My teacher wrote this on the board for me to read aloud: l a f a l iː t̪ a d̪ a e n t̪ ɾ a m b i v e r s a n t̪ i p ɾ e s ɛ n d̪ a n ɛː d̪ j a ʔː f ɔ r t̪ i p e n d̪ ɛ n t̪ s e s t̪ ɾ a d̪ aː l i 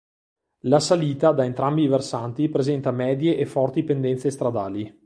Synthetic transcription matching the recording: l a s a l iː t̪ a d̪ a e n t̪ ɾ a m b i v e r s a n t̪ i p ɾ e z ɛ n t̪ a m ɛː d̪ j e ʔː f ɔ r t̪ i p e n d̪ ɛ n t̪ s e s t̪ ɾ a d̪ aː l i